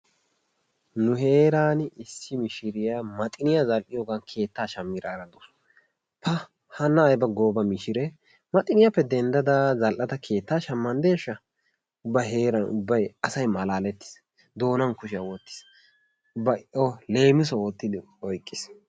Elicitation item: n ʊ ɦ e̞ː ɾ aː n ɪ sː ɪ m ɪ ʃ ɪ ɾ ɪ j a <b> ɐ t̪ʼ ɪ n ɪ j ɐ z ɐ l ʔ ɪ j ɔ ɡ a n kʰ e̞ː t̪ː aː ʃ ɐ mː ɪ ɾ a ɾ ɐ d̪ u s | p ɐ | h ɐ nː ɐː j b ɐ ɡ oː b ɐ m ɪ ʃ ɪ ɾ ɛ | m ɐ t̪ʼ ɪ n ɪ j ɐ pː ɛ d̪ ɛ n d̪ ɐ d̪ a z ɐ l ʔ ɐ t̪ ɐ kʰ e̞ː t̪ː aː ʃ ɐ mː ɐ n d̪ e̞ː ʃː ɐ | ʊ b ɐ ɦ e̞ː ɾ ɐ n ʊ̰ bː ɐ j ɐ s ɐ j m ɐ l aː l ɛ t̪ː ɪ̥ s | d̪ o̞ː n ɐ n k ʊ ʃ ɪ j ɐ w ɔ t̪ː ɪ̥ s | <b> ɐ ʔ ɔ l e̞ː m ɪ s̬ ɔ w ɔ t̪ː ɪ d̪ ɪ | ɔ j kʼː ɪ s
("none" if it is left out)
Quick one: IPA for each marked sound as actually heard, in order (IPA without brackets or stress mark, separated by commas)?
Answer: m, b